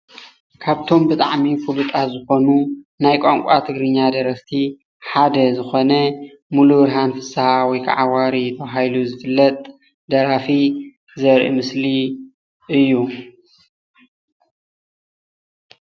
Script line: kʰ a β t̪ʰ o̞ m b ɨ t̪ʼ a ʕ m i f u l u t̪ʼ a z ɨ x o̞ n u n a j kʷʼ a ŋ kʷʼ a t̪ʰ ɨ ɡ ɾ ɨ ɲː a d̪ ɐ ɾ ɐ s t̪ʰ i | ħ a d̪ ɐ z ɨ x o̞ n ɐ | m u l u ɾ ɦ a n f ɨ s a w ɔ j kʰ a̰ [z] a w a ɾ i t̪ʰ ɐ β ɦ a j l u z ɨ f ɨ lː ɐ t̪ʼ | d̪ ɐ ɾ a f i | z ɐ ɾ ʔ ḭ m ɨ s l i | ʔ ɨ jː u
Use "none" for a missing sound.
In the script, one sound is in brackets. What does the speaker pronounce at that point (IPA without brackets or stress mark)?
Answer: ʕ